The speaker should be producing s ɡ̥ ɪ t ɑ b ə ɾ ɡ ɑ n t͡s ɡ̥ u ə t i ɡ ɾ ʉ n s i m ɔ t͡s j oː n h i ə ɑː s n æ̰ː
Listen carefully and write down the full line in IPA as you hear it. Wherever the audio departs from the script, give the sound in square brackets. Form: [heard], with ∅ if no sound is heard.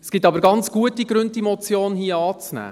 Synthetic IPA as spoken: s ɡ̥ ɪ t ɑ b ə ɾ ɡ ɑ n t͡s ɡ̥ u ə t i ɡ ɾ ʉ n [t] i m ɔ t͡s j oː n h i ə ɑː [t͡s] n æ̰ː

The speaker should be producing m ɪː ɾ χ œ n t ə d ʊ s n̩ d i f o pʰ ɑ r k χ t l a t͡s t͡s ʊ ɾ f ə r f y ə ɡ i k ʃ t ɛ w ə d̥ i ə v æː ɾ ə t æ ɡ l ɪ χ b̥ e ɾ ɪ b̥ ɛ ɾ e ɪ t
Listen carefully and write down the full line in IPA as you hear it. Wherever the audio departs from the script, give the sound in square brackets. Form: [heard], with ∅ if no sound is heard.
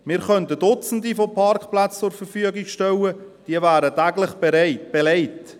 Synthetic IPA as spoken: m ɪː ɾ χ œ n t ə d ʊ [t͡s] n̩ d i f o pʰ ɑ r k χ [p] l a t͡s t͡s ʊ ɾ f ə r f y ə ɡ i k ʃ t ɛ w ə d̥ i ə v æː ɾ ə t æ ɡ l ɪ χ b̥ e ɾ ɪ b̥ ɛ [l] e ɪ t

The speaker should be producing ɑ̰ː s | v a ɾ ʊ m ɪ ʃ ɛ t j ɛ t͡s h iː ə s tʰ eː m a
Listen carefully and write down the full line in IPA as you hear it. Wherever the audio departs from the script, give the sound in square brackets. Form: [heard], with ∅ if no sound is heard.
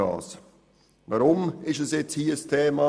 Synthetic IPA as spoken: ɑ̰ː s | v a ɾ ʊ m ɪ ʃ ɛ [s] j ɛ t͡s h iː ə s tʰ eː m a

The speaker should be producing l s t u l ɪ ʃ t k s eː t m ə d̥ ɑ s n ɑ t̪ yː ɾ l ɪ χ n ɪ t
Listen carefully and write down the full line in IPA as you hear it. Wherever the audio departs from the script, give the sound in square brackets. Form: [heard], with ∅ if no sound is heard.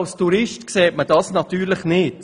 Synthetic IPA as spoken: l s t u [ɾ] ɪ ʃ t k s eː t m ə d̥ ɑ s n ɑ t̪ yː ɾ l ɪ χ n ɪ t

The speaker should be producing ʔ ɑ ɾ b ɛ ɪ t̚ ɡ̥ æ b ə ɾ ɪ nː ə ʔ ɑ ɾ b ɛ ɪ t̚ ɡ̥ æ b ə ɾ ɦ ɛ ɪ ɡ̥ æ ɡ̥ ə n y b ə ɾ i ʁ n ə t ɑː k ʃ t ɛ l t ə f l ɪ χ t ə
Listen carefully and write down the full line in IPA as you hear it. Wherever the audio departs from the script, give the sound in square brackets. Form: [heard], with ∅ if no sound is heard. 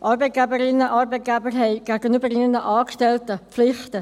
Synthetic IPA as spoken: ʔ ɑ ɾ b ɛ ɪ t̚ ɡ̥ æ b ə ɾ ɪ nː ə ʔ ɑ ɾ b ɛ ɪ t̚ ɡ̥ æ b ə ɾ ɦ ɛ ɪ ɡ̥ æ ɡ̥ ə n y b ə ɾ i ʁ n ə [ʔ] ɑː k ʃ t ɛ l t ə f l ɪ χ t ə

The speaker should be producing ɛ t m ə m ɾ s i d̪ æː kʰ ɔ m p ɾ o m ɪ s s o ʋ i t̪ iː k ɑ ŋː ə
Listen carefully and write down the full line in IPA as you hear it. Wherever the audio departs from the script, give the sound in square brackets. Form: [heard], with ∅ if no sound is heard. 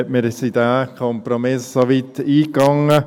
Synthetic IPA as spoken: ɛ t m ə [∅] ɾ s i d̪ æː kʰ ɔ m p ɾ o m ɪ s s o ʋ i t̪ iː k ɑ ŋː ə

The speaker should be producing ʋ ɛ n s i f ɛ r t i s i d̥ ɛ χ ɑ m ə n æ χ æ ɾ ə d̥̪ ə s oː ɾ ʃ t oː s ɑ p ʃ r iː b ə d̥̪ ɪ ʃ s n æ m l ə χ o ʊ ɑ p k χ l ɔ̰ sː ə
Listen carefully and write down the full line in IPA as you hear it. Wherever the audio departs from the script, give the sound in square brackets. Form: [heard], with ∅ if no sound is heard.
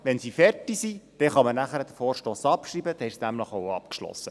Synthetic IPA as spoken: ʋ ɛ n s i f ɛ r t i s i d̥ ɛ χ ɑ m ə n æ χ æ ɾ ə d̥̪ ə [f] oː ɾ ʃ t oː s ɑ p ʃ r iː b ə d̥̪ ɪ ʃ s n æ m l ə χ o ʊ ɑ p k [ʃ] l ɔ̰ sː ə

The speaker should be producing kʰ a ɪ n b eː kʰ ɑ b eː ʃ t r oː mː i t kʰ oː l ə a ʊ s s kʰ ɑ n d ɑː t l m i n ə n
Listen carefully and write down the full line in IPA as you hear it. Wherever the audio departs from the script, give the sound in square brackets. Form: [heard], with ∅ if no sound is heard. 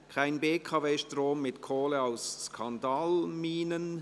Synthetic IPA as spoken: kʰ a ɪ n b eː kʰ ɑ [v] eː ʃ t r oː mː [ɪ] t kʰ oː l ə a ʊ s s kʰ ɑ n d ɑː [∅] l m [iː] n ə n

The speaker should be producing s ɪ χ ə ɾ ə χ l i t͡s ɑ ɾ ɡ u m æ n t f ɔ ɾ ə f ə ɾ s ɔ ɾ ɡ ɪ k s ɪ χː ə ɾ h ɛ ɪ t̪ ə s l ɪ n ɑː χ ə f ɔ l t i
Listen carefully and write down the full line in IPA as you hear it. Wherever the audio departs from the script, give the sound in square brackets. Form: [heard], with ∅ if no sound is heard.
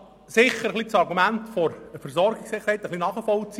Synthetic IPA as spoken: s ɪ χ ə ɾ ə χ l i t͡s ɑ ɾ ɡ u m æ n t f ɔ ɾ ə f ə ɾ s ɔ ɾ ɡ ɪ k s ɪ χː ə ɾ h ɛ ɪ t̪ ə [χ] l [i] n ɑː χ ə f ɔ l [t͡s] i

